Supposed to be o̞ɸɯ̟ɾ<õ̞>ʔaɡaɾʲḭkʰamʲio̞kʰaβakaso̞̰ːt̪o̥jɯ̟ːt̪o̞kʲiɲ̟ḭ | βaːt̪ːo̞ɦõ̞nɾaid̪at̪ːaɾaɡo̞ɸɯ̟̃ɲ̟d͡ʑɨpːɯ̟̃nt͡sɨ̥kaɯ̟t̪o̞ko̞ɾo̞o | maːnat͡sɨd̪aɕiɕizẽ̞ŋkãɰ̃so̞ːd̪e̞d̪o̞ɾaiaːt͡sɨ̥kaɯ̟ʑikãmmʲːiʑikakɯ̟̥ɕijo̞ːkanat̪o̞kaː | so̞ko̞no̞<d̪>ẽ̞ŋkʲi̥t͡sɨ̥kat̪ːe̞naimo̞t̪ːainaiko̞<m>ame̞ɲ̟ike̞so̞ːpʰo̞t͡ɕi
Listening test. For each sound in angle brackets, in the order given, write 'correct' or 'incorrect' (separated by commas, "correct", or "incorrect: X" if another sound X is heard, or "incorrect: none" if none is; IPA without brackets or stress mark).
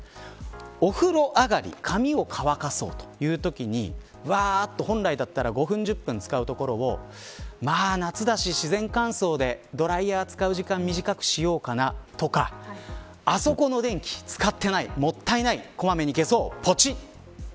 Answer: incorrect: o̞, correct, correct